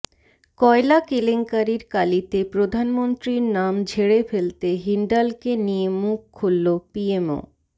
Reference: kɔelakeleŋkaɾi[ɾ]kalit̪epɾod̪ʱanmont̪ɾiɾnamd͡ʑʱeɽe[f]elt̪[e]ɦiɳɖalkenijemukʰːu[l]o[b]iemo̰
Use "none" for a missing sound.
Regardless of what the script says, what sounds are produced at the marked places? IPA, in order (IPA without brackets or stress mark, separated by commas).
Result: ɾ, f, e, lː, p